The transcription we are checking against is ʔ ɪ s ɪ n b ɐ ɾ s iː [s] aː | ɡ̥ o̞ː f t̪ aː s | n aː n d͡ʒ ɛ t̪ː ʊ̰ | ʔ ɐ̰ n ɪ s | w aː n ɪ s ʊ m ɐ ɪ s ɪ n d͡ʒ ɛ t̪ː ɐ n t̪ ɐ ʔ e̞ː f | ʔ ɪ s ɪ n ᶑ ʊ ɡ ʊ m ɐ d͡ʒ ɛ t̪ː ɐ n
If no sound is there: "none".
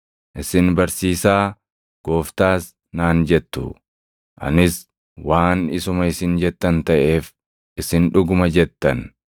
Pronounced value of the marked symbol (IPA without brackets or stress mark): s